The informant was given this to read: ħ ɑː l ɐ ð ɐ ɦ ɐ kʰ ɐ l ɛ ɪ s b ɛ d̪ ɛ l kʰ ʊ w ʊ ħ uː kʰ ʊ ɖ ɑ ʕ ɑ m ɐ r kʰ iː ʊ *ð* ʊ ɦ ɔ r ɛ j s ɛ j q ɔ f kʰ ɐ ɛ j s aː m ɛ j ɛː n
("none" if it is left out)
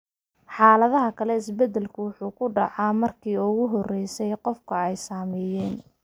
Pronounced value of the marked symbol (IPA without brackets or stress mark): ɣ